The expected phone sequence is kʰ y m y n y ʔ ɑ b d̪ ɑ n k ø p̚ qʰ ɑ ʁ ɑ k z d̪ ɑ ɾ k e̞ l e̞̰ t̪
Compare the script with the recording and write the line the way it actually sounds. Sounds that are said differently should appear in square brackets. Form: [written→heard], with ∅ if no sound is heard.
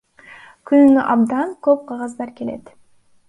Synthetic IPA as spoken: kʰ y [m→n] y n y ʔ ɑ b d̪ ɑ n k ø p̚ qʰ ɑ ʁ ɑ [k→∅] z d̪ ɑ ɾ k e̞ l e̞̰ t̪